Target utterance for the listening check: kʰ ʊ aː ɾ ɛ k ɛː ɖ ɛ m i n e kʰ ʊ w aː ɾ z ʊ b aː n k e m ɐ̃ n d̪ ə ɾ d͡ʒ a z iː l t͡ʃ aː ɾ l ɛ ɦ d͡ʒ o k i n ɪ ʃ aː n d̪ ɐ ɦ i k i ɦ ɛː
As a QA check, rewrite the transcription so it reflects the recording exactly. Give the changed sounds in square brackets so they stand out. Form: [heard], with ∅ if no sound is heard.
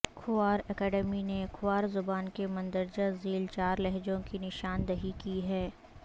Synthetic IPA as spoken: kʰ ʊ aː ɾ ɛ k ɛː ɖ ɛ m i n e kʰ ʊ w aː ɾ z ʊ b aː n k e m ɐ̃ n d̪ ə ɾ d͡ʒ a z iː l t͡ʃ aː ɾ l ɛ ɦ d͡ʒ [õ] k i n ɪ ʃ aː n d̪ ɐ ɦ i k i ɦ ɛː

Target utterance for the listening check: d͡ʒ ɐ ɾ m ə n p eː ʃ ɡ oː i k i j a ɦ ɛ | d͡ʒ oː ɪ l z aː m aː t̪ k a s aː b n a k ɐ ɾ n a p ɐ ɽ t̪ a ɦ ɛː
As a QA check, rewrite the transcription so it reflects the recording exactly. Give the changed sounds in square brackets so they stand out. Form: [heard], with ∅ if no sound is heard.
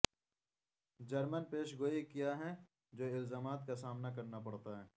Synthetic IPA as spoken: d͡ʒ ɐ ɾ m ə n p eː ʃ ɡ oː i k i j a ɦ ɛ | d͡ʒ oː ɪ l z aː m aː t̪ k a s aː [m] n a k ɐ ɾ n a p ɐ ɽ t̪ a ɦ ɛː

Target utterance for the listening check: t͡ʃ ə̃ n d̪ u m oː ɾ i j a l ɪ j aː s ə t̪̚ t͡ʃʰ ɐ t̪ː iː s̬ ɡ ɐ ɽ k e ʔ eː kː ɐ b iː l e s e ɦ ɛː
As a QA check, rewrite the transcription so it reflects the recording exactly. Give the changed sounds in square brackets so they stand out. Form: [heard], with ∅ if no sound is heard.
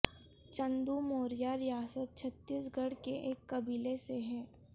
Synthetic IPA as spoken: t͡ʃ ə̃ n d̪ u m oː ɾ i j a [ɾ] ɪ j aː s ə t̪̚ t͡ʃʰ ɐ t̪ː iː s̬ ɡ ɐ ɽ k e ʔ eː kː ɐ b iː l e s e ɦ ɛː

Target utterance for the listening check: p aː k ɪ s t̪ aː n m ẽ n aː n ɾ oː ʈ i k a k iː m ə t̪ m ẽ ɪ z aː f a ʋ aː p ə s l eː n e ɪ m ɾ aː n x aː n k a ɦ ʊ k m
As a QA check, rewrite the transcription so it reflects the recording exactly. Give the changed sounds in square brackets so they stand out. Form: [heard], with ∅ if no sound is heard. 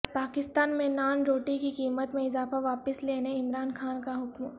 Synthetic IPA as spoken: p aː k ɪ s t̪ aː n m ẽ n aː n ɾ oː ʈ i k [i] k iː m ə t̪ m ẽ ɪ z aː f a ʋ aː p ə s l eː n e ɪ m ɾ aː n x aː n k a ɦ ʊ k m

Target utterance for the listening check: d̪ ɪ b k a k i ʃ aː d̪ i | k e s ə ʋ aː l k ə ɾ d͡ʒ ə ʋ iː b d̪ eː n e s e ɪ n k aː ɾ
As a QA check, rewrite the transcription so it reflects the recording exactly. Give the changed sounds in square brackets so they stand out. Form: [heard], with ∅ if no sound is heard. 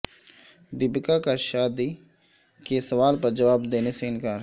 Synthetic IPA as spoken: d̪ ɪ b k a k [a] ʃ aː d̪ i | k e s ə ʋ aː l [p] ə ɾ d͡ʒ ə ʋ [aː] b d̪ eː n e s e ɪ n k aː ɾ

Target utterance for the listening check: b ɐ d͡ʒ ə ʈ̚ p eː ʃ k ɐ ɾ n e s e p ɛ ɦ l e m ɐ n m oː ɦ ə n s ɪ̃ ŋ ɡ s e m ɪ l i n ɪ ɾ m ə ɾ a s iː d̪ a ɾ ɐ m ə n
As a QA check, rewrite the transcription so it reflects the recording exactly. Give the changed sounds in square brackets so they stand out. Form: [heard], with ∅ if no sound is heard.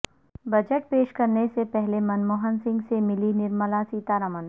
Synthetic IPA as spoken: b ɐ d͡ʒ ə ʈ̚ p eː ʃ k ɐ ɾ n e s e p ɛ ɦ l e m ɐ n m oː ɦ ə n s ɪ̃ ŋ ɡ s e m ɪ l i n ɪ ɾ m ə [l] a s iː [t̪] a ɾ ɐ m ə n

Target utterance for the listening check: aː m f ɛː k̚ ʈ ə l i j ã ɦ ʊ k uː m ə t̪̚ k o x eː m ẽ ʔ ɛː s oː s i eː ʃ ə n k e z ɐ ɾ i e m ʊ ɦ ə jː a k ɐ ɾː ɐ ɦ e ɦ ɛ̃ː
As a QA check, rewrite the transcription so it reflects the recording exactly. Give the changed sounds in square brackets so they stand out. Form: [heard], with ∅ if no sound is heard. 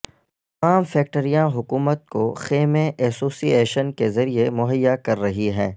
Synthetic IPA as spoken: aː m f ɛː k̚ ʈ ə [ɾ] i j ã ɦ ʊ k uː m ə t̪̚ k o x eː m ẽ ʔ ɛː s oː s i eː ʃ ə n k e z ɐ ɾ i e m ʊ ɦ ə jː a k ɐ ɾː ɐ ɦ [i] ɦ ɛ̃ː

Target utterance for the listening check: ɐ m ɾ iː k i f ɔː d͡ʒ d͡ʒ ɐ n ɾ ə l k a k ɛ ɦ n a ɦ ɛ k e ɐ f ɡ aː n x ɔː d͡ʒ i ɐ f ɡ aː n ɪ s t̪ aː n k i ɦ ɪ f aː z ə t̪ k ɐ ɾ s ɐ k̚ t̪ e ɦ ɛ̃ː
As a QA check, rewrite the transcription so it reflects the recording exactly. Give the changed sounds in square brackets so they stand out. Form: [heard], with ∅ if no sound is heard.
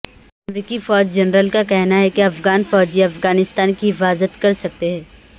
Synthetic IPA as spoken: ɐ m ɾ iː k i f ɔː d͡ʒ d͡ʒ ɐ n ɾ ə l k a k ɛ ɦ n a ɦ ɛ k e ɐ f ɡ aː n [f] ɔː d͡ʒ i ɐ f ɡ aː n ɪ s t̪ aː n k i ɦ ɪ f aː z ə t̪ k ɐ ɾ s ɐ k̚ t̪ e ɦ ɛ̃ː

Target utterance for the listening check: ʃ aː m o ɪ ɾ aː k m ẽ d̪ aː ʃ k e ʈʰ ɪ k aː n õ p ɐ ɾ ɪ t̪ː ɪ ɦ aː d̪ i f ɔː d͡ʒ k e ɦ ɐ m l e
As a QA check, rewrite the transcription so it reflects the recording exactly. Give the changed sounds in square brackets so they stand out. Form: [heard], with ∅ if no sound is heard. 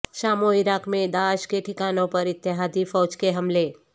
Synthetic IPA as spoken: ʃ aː m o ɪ ɾ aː k m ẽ d̪ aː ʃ k e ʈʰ ɪ k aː n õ p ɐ ɾ ɪ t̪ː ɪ ɦ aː d̪ i f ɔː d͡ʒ k e ɦ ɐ m l e

